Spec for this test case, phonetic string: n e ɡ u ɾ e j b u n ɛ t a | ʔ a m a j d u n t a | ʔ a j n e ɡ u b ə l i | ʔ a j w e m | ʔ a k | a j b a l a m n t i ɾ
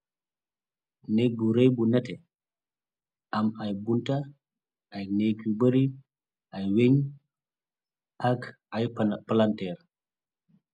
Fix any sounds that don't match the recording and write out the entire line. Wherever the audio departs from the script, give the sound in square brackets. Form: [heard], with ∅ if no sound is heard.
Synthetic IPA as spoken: n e ɡ u ɾ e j b u n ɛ t [ɛ] | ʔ a m a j [b] u n t a | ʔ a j n e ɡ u b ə [ɾ] i | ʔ a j w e [ɲ] | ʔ a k | a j [p] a l a [∅] n t [ɛ] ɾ